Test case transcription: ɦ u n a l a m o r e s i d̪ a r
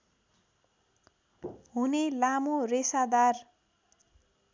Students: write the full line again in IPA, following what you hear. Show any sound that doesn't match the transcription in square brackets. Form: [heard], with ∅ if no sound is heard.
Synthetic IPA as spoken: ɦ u n [e] l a m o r e s [a] d̪ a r